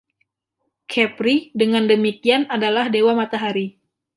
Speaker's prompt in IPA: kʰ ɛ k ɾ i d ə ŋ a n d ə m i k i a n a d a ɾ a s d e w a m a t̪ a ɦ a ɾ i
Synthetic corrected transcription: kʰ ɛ p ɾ i d ə ŋ a n d ə m i k i a n a d a l a h d e w a m a t̪ a ɦ a ɾ i